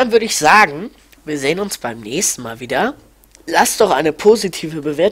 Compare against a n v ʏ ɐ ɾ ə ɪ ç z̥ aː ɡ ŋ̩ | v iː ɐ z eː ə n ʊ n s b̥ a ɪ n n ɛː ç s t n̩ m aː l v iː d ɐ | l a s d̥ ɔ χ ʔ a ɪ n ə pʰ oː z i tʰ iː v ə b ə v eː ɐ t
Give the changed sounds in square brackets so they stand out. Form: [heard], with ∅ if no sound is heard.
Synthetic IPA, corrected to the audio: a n v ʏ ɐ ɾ ə ɪ ç z̥ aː ɡ ŋ̩ | v iː ɐ z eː ə n ʊ n s b̥ a ɪ [m] n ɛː ç s t n̩ m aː l v iː d ɐ | l a s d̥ ɔ χ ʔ a ɪ n ə pʰ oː z i tʰ iː v ə b ə v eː ɐ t